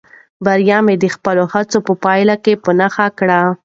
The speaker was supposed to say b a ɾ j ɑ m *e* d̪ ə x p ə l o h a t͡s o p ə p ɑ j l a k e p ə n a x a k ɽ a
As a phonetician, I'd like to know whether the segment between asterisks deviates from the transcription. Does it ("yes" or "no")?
no